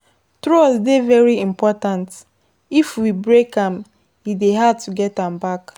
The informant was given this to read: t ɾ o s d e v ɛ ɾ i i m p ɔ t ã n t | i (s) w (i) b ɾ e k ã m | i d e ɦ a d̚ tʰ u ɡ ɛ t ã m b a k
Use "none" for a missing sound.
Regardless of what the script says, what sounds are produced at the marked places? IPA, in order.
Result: f, i

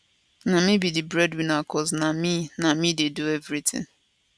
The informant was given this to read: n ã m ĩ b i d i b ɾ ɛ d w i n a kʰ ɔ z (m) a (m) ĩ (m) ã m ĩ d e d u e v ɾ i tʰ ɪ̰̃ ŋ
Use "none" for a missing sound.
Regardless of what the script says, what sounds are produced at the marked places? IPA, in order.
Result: n, m, n

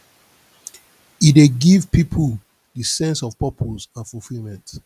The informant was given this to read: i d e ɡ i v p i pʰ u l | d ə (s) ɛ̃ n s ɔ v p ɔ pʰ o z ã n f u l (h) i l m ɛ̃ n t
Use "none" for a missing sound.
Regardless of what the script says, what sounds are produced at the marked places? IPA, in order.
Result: s, f

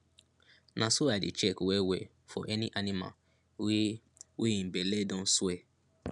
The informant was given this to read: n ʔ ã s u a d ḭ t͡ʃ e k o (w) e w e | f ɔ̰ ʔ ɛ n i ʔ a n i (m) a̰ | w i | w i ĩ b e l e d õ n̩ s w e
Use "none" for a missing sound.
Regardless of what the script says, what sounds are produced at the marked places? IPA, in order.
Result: w, m

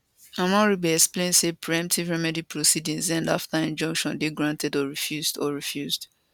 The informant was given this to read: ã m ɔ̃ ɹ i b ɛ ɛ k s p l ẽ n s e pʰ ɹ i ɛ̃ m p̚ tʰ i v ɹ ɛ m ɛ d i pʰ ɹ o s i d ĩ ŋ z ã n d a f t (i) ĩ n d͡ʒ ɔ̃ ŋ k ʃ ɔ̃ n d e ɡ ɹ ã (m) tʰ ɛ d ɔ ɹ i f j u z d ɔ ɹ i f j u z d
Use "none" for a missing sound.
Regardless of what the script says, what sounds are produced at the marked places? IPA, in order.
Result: a, n

